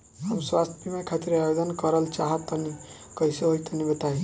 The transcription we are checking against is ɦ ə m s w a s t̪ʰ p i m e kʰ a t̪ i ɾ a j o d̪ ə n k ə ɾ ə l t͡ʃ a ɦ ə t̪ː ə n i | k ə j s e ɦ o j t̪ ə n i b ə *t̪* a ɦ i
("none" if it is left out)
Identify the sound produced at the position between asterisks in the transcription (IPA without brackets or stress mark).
t̪